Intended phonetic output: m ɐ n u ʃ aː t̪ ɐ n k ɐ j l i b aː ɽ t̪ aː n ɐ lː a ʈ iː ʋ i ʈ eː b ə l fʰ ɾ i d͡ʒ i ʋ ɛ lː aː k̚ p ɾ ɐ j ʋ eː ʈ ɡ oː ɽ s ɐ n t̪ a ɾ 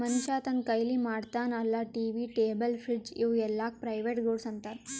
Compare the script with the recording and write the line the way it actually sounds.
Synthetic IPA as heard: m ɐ n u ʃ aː t̪ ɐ n k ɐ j l i m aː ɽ t̪ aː n ɐ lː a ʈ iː ʋ i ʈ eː b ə l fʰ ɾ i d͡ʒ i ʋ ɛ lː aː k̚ p ɾ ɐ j ʋ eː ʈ ɡ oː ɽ s ɐ n t̪ a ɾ